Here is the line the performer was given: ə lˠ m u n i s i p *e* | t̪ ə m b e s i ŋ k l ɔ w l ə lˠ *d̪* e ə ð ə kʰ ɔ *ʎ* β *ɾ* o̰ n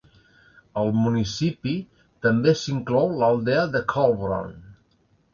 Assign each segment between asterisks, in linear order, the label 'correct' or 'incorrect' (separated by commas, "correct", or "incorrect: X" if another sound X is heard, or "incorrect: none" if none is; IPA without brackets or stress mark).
incorrect: i, correct, incorrect: l, correct